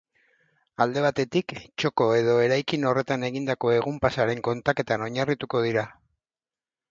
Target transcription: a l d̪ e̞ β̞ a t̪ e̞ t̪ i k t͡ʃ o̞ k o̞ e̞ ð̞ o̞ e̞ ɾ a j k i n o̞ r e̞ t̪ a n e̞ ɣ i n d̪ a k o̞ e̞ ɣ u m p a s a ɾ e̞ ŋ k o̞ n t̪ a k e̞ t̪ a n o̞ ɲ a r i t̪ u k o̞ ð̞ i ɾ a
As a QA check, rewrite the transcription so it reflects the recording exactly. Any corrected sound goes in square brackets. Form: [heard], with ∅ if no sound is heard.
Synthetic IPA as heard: a l d̪ e̞ β̞ a t̪ e̞ t̪ i k t͡ʃ o̞ k o̞ e̞ ð̞ o̞ e̞ ɾ a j k i n o̞ r e̞ t̪ a n e̞ ɣ i n d̪ a k o̞ e̞ ɣ u m p a s a ɾ e̞ ŋ k o̞ n t̪ a k e̞ t̪ a n o̞ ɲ a r i t̪ u k o̞ ð̞ i ɾ a